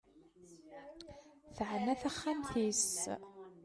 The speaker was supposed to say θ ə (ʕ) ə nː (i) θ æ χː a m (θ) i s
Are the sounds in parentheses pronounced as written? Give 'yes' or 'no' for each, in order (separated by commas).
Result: yes, no, yes